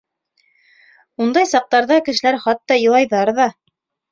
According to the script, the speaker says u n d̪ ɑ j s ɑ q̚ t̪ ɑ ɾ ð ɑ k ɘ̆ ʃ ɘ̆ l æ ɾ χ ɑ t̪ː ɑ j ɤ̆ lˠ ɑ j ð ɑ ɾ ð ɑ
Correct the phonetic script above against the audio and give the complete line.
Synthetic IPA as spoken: u n d̪ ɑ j s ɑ q̚ t̪ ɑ ɾ ð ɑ k ɘ̆ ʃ ɘ̆ l æ ɾ χ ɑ t̪ː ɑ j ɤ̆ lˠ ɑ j ð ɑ ɾ ð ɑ

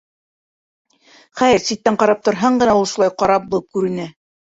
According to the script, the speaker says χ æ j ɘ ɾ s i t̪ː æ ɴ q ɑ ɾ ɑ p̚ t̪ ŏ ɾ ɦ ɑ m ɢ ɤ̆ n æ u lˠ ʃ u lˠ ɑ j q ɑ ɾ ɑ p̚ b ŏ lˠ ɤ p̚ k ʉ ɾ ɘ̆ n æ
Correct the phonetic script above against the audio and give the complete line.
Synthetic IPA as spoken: χ æ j ɘ ɾ s i t̪ː æ ɴ q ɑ ɾ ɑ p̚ t̪ ŏ ɾ ɦ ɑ ɴ ɢ ɤ̆ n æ u lˠ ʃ u lˠ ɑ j q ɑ ɾ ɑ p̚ b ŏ lˠ ɤ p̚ k ʉ ɾ ɘ̆ n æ

